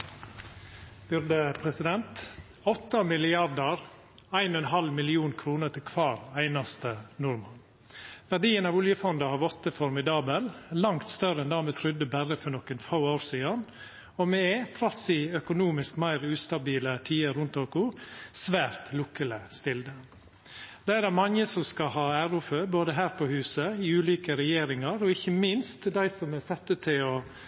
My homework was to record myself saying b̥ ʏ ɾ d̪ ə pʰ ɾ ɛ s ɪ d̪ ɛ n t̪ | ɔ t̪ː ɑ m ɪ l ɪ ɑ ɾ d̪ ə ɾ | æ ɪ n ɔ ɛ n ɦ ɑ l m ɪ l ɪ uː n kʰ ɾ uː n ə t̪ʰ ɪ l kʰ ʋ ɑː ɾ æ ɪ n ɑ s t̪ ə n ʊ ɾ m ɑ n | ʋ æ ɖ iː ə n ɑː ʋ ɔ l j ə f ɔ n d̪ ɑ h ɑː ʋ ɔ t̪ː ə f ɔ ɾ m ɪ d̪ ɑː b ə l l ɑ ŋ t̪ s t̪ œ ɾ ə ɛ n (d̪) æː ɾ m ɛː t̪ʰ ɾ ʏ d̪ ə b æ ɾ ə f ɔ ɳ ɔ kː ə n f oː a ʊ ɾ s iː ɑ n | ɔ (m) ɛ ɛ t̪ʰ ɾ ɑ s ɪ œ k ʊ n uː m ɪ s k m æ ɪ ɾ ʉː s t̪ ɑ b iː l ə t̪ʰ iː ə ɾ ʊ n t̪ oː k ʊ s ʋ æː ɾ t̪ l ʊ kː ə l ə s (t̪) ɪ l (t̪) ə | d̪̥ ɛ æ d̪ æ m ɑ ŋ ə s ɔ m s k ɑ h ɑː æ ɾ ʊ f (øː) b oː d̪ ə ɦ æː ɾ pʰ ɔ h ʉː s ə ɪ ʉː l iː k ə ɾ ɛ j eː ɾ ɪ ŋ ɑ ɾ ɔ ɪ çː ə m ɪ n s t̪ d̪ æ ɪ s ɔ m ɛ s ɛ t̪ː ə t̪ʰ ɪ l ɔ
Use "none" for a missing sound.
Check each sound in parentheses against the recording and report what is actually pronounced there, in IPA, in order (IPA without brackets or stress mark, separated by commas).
d̪, m, t̪, d̪, øː